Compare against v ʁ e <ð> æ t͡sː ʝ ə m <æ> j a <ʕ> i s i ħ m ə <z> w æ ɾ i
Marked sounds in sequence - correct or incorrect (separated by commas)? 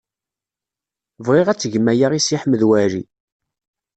incorrect, correct, incorrect, incorrect